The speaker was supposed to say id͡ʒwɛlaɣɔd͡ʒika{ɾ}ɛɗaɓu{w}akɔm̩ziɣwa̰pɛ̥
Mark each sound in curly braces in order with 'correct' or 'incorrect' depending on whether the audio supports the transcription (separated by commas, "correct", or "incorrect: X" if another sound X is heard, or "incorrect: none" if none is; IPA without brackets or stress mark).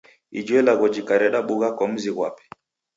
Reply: correct, incorrect: ɣ